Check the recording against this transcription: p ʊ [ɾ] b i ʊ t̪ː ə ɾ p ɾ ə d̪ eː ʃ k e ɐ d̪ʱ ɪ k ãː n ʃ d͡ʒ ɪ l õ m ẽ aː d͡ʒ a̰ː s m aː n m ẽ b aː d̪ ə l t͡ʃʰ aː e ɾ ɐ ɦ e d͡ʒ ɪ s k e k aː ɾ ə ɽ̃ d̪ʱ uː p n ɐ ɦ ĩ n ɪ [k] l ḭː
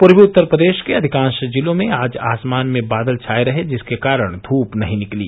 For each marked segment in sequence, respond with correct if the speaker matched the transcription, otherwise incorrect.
correct, correct

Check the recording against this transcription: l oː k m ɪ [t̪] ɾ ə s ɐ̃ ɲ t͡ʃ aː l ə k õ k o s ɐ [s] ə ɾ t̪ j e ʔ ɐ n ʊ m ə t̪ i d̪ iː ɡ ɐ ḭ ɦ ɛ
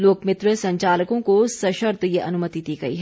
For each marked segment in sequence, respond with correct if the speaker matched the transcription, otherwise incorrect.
correct, incorrect: ʃ

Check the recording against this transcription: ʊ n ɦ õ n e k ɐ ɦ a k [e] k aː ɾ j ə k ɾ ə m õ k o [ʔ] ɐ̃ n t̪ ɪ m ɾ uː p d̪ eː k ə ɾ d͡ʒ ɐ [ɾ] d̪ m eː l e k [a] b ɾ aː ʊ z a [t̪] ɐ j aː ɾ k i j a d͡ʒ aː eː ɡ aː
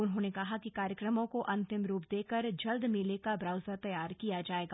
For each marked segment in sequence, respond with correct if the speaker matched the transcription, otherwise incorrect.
incorrect: i, correct, incorrect: l, correct, correct

